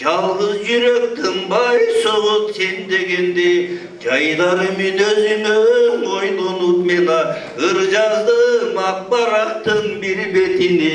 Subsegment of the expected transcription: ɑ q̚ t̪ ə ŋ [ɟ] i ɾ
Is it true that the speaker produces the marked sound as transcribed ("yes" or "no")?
no